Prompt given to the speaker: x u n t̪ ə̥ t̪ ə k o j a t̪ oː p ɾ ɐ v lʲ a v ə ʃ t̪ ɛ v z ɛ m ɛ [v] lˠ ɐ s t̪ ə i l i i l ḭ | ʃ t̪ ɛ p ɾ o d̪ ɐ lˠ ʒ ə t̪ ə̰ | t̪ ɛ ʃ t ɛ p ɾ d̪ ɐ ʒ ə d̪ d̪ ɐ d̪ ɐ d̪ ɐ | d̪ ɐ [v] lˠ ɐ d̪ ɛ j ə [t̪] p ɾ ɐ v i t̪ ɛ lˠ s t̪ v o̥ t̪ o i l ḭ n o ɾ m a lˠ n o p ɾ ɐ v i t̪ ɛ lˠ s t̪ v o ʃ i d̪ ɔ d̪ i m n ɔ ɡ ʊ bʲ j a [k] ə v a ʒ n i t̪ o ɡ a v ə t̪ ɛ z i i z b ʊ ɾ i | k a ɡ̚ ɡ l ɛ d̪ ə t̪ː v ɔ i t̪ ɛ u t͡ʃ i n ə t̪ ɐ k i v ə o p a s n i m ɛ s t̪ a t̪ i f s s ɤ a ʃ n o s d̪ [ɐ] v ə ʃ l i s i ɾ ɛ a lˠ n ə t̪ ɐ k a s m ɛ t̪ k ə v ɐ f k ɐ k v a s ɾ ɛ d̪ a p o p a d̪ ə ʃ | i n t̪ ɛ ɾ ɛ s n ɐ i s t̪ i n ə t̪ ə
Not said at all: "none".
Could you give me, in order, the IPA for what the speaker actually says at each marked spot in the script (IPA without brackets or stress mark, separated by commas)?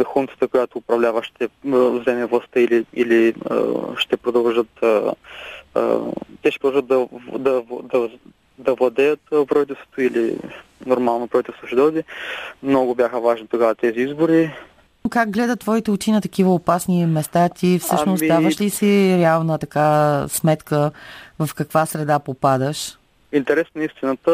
v, v, t̪, x, a